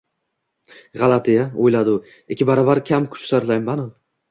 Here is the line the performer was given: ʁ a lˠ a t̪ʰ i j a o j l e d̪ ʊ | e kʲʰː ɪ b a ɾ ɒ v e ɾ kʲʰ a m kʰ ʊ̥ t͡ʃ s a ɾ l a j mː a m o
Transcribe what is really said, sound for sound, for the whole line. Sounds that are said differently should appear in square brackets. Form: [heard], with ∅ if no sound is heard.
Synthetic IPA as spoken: ʁ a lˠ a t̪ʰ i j a o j l [a] d̪ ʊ | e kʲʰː ɪ b a ɾ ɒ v [a] ɾ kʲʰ a m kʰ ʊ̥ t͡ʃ s a ɾ l a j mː a [n] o